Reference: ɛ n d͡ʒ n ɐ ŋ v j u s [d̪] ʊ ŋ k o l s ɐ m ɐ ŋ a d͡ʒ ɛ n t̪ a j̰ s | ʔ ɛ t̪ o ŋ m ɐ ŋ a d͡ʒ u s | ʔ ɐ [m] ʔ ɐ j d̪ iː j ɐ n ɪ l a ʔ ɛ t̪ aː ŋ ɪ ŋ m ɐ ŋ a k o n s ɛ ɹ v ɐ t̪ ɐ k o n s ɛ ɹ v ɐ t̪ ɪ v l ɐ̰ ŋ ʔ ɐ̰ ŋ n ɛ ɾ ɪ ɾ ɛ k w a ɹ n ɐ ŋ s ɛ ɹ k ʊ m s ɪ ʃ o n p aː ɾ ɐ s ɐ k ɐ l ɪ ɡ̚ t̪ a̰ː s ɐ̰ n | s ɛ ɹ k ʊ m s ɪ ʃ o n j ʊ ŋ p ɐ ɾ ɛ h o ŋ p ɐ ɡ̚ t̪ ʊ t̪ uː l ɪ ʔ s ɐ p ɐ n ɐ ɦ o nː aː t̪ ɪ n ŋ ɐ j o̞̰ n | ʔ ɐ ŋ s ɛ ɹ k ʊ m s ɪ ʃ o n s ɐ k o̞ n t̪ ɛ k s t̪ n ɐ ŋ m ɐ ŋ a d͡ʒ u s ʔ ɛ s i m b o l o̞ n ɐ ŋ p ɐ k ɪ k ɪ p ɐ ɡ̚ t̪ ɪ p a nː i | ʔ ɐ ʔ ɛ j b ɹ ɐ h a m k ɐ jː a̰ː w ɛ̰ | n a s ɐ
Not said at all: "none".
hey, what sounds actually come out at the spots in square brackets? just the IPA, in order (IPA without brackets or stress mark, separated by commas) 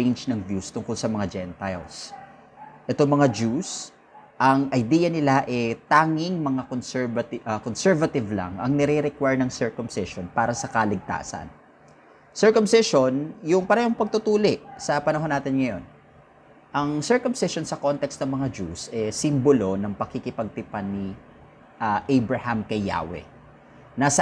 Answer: t̪, ŋ